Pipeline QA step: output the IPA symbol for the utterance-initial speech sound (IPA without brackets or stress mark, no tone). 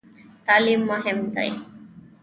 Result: t̪